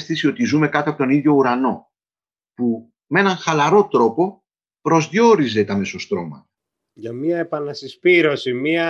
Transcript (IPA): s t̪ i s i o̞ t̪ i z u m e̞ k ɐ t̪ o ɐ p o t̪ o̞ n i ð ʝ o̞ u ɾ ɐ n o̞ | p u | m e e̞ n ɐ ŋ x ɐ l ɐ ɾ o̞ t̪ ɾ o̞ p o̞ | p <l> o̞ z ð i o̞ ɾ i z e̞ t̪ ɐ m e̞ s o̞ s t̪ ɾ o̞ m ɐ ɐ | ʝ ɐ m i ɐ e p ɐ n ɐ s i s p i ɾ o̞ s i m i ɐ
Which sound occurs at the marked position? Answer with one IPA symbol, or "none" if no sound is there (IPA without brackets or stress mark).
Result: ɾ